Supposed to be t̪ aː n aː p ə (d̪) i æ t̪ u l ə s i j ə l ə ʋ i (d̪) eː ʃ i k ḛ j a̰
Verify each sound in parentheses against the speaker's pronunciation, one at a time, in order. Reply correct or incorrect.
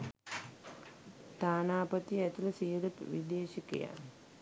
incorrect, correct

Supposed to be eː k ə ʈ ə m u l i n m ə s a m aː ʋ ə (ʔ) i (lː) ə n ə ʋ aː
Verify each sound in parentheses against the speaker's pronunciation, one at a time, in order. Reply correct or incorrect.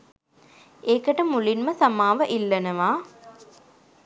correct, correct

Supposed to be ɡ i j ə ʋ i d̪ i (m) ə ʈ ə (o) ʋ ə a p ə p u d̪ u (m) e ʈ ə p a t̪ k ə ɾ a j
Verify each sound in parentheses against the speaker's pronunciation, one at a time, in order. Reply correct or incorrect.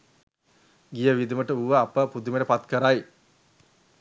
correct, incorrect, correct

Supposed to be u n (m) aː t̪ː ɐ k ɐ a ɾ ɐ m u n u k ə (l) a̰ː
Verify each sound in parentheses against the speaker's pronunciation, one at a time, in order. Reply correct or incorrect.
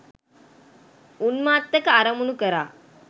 correct, incorrect

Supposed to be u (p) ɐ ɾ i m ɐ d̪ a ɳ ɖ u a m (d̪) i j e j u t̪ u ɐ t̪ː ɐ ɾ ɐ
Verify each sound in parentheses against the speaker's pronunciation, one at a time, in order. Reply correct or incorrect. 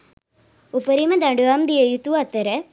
correct, correct

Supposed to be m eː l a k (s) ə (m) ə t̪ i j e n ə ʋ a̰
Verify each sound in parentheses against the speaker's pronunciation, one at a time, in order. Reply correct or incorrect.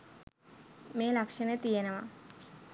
incorrect, incorrect

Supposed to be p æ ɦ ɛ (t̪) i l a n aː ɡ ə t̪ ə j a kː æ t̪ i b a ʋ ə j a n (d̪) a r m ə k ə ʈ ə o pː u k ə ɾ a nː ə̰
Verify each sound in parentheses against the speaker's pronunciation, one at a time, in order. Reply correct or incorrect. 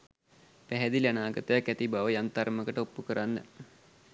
incorrect, incorrect

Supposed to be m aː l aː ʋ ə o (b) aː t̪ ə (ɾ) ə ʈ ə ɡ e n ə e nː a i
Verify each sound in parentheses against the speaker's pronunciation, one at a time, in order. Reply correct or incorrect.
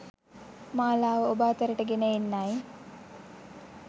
correct, correct

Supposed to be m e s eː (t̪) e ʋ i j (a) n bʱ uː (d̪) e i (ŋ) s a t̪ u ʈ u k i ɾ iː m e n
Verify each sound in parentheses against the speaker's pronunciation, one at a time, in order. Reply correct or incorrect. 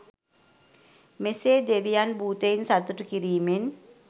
incorrect, correct, incorrect, incorrect

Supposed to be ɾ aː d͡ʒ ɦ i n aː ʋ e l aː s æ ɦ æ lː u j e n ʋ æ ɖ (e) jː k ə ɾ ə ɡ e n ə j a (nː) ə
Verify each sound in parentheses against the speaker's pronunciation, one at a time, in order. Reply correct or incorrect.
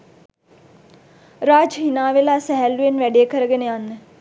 correct, correct

